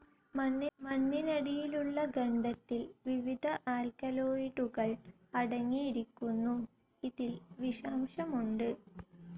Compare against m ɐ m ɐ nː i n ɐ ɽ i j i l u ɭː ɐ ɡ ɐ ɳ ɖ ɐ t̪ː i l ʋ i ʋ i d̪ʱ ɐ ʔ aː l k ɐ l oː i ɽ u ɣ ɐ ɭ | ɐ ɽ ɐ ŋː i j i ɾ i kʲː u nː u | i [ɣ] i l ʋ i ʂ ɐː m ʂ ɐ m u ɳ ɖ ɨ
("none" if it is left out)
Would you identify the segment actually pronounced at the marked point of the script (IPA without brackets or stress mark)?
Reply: ð